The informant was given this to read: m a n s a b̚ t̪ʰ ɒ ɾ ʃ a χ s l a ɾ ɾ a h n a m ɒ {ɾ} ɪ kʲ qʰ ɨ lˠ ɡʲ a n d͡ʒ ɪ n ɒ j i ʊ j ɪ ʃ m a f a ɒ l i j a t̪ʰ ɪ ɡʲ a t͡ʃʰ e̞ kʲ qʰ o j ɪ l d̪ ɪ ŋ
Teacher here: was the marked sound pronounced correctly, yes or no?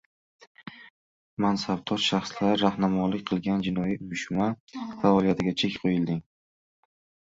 no